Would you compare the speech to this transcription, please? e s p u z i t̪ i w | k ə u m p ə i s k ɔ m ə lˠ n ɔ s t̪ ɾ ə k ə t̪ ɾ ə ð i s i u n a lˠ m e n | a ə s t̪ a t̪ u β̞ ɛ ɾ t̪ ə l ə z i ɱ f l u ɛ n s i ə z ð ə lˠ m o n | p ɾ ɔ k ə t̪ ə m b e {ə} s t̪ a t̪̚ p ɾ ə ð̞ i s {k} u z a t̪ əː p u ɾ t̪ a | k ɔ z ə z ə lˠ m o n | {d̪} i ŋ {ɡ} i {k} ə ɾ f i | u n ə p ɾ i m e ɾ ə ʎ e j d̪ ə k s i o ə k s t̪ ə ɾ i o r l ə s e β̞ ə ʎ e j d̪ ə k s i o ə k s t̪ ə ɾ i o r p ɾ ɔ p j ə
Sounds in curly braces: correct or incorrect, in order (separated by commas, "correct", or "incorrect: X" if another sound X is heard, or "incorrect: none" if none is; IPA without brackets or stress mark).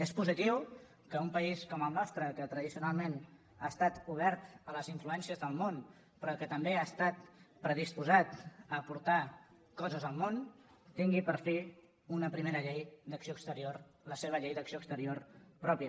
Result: incorrect: a, incorrect: p, incorrect: t̪, correct, incorrect: p